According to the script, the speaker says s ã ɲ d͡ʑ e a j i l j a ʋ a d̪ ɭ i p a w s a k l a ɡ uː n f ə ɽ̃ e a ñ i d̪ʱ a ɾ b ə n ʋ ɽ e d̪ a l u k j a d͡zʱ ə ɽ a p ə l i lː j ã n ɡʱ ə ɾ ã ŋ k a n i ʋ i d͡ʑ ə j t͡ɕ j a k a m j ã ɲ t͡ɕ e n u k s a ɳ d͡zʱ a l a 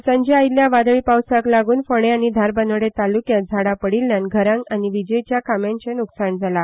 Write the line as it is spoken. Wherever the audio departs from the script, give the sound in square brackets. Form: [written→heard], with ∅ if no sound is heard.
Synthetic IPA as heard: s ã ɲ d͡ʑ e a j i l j a ʋ a d̪ ɭ i p a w s a k l a ɡ uː n f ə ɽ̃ e a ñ i d̪ʱ a ɾ b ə n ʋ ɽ e [d̪→t̪] a l u k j a d͡zʱ [ə→a] ɽ a p ə [l→ɽ] i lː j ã n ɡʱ ə ɾ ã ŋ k a n i ʋ i d͡ʑ ə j t͡ɕ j a k a m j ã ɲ t͡ɕ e n u k s a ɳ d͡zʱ a l a